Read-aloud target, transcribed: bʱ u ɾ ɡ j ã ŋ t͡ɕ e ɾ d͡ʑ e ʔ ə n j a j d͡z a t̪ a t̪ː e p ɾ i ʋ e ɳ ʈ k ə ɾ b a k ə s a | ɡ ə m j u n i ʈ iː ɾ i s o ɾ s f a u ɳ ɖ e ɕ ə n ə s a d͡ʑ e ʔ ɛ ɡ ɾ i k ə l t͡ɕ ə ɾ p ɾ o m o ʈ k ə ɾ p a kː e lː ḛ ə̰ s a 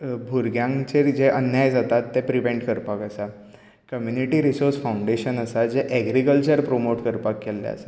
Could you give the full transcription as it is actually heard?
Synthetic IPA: bʱ u ɾ ɡ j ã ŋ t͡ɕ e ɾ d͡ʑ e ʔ ə n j a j d͡z a t̪ a t̪ː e p ɾ i ʋ e ɳ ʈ k ə ɾ p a k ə s a | k ə m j u n i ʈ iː ɾ i s o ɾ s f a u ɳ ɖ e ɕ ə n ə s a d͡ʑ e ʔ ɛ ɡ ɾ i k ə l t͡ɕ ə ɾ p ɾ o m o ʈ k ə ɾ p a kː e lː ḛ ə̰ s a